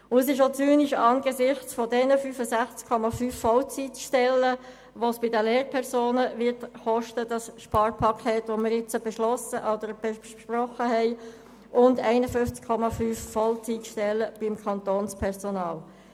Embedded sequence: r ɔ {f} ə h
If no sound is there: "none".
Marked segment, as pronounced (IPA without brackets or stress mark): χ